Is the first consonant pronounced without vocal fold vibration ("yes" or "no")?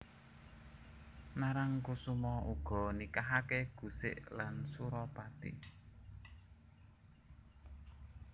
no